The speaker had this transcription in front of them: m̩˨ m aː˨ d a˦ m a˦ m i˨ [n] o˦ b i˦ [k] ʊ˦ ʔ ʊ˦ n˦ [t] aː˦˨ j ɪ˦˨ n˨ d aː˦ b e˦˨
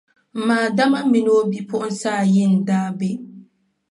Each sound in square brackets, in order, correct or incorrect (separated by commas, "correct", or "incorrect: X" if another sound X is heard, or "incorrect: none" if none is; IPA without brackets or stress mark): correct, incorrect: p, incorrect: s